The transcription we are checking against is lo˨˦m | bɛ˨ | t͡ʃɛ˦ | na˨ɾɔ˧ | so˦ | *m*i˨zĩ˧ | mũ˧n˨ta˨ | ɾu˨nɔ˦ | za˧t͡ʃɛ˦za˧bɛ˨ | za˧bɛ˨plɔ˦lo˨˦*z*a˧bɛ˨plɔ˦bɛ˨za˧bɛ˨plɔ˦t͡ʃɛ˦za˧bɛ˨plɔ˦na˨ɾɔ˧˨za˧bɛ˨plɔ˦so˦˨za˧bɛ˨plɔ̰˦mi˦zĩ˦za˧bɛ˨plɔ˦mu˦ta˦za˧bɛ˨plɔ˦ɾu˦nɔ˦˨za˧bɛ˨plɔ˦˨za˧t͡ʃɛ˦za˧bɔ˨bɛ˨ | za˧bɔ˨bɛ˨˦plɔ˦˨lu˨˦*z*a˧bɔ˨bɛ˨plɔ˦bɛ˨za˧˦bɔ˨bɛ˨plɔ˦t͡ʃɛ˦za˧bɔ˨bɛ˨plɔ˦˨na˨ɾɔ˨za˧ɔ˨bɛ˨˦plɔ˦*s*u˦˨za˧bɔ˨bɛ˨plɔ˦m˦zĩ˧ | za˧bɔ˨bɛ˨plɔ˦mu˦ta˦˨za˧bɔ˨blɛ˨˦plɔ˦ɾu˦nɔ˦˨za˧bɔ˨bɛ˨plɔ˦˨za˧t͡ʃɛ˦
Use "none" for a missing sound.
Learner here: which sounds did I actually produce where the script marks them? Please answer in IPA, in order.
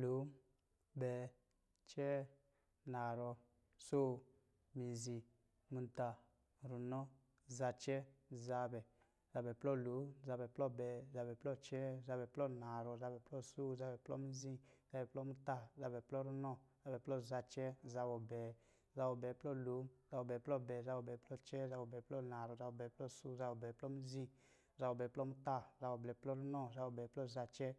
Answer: m, z, z, s

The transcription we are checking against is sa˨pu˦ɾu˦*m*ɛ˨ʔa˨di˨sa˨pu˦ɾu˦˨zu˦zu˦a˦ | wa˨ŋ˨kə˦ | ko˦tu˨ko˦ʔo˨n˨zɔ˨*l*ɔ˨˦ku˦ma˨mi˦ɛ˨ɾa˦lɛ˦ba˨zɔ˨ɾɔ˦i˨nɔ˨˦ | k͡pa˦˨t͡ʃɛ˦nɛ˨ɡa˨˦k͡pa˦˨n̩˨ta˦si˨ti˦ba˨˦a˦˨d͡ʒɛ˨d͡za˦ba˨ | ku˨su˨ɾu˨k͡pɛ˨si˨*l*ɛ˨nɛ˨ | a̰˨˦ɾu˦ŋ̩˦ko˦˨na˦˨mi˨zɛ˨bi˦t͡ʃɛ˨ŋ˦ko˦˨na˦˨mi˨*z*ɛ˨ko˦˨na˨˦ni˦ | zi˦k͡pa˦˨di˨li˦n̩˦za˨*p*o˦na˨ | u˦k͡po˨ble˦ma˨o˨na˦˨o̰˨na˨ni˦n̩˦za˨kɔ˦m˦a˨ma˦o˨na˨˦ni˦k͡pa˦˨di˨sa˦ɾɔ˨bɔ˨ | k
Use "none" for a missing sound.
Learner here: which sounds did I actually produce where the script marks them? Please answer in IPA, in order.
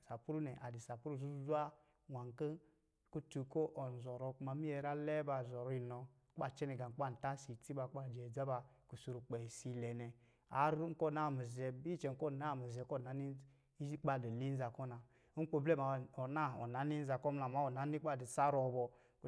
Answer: n, ɾ, l, z, k

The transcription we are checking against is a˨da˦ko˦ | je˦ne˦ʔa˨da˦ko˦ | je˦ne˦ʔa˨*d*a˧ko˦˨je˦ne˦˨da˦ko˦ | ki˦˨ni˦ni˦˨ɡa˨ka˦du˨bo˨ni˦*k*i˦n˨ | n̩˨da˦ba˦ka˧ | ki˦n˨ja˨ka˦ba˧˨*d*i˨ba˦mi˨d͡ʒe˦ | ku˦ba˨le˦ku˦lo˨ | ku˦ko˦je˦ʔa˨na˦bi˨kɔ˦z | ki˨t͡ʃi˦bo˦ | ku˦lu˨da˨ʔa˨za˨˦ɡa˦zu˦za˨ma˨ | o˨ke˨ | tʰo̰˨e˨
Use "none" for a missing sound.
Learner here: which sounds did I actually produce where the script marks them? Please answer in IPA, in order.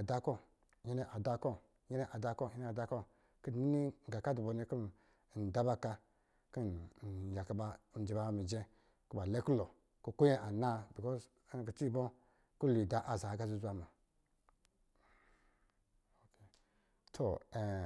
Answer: d, k, d͡ʒ

